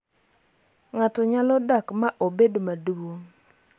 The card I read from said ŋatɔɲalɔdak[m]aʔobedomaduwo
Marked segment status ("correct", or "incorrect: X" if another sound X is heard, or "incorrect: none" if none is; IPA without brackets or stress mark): correct